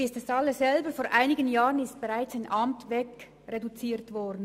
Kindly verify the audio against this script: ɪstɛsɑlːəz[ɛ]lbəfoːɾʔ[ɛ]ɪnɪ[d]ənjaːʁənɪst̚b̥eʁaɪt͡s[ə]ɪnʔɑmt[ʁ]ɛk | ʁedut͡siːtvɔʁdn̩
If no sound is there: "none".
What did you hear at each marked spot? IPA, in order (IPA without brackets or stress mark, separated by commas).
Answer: ɛ, a, ɡ, a, v